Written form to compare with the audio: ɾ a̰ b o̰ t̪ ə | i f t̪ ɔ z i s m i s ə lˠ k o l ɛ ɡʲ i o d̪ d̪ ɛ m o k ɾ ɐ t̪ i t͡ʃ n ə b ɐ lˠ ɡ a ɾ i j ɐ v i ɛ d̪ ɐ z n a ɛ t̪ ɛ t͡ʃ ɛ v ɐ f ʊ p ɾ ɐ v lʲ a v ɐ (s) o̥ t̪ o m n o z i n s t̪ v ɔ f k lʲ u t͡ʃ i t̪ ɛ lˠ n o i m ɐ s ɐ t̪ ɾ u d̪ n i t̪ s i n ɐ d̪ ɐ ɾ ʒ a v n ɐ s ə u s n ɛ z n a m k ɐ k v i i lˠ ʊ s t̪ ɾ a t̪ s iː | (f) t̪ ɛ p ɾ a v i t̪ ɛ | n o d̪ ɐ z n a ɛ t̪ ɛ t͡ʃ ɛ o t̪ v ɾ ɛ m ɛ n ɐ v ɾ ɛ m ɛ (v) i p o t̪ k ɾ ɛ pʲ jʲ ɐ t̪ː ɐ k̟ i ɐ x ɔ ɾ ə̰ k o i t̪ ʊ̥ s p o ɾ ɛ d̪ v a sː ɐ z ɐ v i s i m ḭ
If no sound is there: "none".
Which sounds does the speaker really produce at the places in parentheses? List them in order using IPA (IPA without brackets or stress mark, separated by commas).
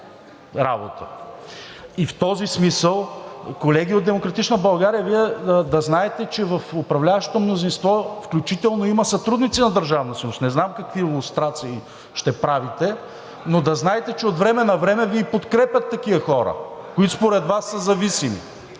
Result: ʃ, ʃ, v